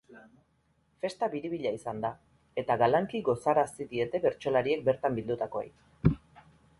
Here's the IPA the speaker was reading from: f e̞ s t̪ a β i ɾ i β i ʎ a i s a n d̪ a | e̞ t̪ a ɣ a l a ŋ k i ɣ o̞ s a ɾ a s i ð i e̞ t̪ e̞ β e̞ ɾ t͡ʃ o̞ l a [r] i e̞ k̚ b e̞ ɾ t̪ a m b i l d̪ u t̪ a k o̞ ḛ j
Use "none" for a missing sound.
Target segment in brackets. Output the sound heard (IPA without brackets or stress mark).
ɾ